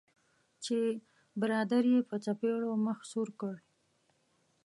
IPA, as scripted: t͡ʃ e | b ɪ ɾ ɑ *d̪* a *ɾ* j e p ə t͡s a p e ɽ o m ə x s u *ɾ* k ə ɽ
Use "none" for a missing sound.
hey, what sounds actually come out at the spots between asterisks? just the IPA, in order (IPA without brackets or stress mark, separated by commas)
d̪, ɾ, ɾ